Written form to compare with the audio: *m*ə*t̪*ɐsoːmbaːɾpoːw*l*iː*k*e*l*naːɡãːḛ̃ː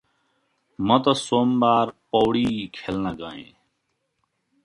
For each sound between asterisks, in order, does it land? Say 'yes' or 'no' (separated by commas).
yes, yes, no, no, yes